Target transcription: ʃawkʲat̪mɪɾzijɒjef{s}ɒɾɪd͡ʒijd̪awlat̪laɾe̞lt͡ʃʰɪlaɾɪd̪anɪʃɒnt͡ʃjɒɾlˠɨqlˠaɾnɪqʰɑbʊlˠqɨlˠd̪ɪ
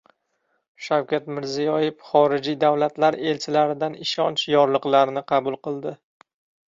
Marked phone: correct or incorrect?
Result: incorrect